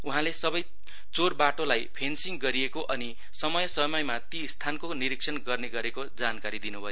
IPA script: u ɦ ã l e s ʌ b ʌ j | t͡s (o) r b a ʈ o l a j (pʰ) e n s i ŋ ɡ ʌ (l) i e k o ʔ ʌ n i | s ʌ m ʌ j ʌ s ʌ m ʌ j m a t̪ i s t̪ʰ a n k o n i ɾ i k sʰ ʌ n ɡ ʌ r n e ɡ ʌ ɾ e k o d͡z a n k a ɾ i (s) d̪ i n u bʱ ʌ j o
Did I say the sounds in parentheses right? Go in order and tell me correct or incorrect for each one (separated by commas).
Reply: correct, correct, incorrect, incorrect